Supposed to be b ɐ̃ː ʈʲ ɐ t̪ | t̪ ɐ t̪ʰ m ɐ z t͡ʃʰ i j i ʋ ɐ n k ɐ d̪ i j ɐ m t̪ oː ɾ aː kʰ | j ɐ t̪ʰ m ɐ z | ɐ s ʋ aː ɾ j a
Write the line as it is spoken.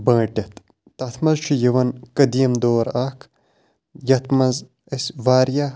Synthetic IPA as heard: b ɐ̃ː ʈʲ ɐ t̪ | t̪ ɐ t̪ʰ m ɐ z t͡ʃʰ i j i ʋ ɐ n k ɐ d̪ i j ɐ m d̪ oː ɾ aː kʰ | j ɐ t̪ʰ m ɐ z | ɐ s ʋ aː ɾ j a